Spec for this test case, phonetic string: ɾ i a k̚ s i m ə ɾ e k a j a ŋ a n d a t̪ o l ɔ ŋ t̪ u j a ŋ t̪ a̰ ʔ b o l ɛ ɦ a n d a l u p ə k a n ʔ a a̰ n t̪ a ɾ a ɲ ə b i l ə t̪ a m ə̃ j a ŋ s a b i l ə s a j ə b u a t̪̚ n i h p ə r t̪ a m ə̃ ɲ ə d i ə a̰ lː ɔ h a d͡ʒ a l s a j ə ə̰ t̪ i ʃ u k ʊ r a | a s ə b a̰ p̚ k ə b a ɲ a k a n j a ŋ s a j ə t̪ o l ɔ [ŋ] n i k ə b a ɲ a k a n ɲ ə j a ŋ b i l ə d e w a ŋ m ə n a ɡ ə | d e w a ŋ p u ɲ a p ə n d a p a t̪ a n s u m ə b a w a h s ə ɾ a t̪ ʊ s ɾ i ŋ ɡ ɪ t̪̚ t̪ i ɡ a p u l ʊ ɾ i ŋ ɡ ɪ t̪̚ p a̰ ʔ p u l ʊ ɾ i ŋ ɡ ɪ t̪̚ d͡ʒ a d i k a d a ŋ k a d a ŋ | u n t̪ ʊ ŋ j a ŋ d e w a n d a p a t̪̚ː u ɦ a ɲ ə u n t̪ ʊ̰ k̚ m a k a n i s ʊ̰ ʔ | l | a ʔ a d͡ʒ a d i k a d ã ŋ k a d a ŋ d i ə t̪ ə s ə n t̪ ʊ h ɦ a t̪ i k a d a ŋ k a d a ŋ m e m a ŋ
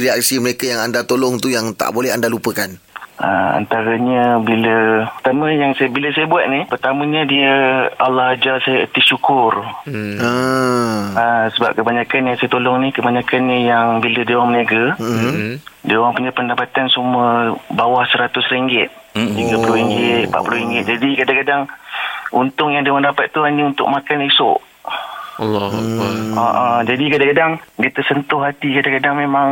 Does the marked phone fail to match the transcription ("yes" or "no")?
no